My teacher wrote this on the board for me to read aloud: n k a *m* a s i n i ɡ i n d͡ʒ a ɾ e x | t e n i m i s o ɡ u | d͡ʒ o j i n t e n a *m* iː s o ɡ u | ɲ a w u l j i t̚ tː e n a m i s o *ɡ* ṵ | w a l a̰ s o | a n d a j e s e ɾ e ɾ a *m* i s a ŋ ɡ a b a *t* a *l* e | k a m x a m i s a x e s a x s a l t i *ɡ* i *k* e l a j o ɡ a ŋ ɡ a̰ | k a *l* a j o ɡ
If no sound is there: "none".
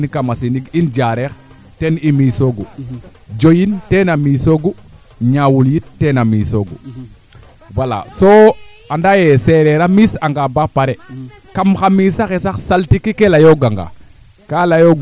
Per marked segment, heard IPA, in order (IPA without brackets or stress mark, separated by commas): m, m, ɡ, m, p, ɾ, k, k, l